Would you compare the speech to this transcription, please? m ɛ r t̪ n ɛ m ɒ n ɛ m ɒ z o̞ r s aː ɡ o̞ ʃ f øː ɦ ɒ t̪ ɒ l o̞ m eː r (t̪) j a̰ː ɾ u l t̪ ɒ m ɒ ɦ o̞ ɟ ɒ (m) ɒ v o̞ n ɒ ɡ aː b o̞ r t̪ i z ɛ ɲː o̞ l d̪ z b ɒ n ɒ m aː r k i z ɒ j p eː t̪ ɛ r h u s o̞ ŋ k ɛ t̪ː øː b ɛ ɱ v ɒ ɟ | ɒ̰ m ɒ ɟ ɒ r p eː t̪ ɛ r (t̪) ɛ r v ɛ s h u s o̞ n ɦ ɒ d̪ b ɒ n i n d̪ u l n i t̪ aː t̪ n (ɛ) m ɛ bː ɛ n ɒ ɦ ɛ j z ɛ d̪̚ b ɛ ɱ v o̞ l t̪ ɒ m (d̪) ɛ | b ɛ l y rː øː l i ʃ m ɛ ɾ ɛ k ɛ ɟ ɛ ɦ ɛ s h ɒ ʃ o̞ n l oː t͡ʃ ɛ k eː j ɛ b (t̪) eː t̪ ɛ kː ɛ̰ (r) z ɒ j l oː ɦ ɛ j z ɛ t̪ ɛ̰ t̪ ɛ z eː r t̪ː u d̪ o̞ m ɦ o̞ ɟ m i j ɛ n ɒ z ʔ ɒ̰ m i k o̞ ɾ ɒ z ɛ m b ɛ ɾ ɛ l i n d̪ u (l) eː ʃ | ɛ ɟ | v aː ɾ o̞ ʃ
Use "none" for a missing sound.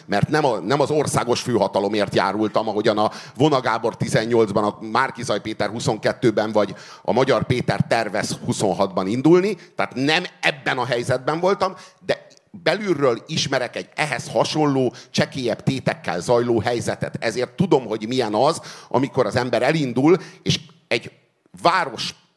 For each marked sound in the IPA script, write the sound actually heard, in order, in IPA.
t̪, n, t̪, ɛ, d̪, t̪, l, l

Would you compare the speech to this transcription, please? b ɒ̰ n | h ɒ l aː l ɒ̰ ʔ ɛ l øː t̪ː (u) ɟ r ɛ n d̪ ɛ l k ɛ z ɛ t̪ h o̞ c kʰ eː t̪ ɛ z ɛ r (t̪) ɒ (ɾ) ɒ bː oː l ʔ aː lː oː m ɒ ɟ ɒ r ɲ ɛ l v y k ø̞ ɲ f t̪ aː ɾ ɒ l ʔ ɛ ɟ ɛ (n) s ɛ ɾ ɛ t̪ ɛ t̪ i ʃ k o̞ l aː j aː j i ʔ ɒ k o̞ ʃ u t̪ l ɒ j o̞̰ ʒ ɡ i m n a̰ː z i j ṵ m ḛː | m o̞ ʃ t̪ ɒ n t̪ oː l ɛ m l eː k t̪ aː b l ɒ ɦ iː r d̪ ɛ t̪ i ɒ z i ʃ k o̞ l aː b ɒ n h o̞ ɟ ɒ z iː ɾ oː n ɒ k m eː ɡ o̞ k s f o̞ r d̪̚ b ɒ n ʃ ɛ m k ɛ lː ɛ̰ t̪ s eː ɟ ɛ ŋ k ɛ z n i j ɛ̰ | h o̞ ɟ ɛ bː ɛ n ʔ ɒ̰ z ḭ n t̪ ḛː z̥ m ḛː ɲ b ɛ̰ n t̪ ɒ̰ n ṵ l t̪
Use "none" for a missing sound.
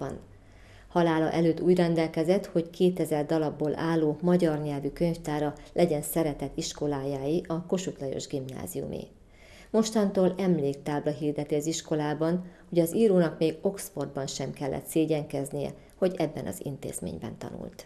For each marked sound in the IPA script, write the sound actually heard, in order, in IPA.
uː, d̪, l, n

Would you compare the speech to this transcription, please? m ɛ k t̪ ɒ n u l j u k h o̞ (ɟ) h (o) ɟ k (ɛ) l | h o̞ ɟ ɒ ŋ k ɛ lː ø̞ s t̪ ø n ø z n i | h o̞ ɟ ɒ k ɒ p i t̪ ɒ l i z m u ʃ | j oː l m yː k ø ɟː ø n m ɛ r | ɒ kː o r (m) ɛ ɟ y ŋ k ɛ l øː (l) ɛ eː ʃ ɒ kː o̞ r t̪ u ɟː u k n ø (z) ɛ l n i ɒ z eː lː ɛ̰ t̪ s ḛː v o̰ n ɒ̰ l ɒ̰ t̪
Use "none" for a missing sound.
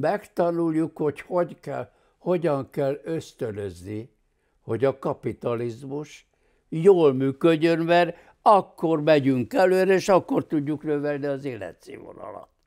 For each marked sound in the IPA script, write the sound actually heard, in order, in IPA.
c, o, ɛ, m, ɾ, v

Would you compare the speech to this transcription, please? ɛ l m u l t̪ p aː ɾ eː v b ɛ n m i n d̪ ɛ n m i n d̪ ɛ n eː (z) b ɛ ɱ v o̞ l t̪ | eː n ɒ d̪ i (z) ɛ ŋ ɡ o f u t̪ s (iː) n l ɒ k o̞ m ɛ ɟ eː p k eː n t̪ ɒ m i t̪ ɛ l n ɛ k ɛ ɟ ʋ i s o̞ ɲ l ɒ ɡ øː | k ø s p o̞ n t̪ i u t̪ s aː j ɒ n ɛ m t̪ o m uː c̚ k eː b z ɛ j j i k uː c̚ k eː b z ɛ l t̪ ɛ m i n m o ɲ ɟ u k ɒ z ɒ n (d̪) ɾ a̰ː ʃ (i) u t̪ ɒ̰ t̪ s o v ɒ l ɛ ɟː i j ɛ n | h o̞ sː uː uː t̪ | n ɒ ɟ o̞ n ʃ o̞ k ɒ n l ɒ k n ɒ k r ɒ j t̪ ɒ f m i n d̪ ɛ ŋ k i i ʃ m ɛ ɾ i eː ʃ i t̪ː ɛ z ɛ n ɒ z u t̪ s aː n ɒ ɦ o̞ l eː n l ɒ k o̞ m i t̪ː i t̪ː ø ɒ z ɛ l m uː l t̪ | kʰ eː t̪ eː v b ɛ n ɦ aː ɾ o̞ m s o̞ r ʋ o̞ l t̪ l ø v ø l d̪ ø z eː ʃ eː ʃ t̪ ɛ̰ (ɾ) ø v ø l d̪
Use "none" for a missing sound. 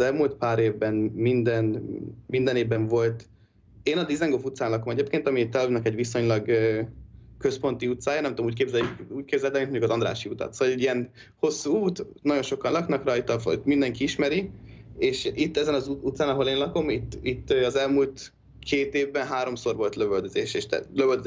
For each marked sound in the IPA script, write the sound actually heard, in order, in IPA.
v, z, aː, d̪, i, l

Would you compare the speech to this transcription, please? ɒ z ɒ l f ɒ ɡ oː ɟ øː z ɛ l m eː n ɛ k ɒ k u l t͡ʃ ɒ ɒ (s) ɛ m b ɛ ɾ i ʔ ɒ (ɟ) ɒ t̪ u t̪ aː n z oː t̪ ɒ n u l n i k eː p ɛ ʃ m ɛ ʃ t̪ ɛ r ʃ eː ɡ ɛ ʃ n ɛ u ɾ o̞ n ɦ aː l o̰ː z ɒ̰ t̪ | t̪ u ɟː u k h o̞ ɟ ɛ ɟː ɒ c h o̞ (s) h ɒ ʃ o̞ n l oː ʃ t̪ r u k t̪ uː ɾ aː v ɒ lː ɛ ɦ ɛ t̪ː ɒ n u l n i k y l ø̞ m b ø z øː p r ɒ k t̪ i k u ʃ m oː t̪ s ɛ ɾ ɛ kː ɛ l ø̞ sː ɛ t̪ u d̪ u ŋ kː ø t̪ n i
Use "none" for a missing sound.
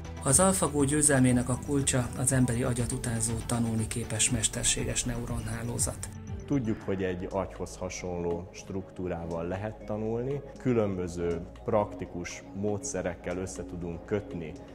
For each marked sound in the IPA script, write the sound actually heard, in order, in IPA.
z, ɟ, s

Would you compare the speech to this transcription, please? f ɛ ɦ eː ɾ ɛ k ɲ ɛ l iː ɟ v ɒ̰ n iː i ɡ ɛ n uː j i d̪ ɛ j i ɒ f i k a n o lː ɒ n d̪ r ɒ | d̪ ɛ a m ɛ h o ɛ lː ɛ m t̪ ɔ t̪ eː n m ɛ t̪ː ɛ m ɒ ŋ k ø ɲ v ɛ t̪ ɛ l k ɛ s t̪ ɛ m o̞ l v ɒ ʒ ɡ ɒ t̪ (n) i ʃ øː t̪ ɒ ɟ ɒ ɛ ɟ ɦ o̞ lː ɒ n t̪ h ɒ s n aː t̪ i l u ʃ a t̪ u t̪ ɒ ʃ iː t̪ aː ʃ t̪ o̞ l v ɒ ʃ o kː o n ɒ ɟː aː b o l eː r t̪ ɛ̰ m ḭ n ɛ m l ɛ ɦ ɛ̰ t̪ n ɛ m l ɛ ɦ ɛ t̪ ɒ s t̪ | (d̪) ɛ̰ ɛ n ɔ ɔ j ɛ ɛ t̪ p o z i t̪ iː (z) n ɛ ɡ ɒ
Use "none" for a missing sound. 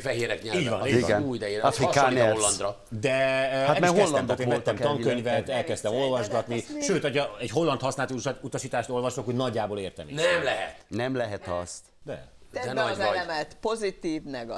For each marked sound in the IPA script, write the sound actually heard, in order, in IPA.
n, d̪, v

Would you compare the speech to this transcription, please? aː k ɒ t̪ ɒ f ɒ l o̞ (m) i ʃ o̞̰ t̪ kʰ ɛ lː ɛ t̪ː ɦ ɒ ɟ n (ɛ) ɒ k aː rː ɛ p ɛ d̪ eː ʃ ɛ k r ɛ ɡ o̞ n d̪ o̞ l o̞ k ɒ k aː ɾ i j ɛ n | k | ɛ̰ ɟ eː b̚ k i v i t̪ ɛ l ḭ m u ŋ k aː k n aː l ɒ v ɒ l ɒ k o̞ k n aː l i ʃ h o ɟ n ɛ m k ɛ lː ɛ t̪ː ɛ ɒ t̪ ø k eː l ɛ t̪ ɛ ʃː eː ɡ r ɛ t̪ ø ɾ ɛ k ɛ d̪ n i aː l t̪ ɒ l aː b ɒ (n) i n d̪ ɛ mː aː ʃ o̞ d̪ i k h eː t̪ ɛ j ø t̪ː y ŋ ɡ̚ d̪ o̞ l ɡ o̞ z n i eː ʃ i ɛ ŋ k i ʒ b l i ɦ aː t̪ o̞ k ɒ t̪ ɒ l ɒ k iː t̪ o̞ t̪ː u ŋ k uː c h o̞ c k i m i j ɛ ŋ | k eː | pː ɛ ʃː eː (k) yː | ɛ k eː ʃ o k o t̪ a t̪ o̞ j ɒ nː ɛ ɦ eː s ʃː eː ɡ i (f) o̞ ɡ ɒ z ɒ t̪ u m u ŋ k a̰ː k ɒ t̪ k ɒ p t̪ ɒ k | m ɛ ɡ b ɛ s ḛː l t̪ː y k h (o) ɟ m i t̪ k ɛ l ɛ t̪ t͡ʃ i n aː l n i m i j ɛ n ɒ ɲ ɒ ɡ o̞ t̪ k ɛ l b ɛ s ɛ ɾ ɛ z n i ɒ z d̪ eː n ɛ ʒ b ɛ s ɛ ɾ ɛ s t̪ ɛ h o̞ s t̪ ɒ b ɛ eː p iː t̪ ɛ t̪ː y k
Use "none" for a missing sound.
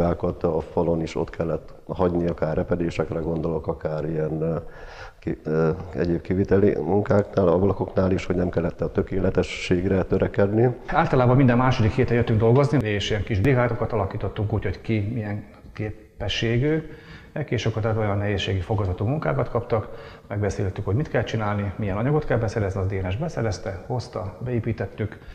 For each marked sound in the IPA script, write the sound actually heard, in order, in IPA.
n, i, m, ɡ, f, o

